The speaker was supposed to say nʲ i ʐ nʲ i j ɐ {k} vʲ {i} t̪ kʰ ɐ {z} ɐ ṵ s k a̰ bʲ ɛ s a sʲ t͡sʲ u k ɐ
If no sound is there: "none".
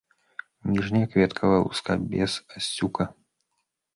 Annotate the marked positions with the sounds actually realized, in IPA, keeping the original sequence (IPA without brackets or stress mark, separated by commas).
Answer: k, ɛ, v